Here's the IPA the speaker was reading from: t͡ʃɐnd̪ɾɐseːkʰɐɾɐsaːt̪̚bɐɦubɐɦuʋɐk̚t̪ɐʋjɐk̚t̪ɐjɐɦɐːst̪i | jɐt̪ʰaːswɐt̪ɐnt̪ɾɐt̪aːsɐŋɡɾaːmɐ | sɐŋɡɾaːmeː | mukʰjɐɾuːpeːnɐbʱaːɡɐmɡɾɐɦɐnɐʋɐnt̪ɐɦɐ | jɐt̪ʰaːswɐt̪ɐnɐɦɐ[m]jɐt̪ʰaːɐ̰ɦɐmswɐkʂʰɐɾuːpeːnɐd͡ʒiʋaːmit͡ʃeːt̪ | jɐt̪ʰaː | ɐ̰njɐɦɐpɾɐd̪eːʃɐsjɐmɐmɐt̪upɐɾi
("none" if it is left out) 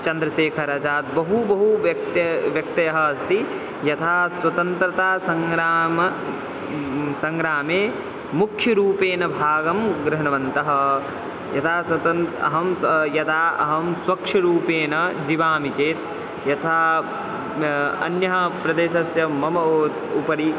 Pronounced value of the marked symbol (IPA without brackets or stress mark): m